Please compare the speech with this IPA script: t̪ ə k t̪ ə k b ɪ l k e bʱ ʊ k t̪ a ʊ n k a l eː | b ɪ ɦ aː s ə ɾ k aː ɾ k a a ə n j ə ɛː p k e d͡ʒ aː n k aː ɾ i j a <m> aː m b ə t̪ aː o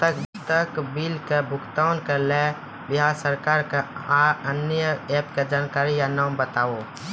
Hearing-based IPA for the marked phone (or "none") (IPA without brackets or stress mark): n